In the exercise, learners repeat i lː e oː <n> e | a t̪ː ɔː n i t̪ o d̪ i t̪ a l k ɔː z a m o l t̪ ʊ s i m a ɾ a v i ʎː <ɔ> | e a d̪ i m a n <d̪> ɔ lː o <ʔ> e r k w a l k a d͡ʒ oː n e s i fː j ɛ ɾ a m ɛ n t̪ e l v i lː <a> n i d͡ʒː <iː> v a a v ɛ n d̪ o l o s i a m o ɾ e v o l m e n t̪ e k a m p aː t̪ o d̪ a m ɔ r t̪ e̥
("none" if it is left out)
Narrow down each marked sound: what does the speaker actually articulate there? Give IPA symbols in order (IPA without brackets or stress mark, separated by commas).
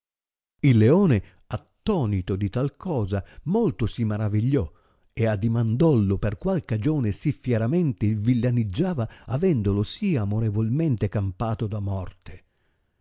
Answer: n, ɔ, d̪, p, a, aː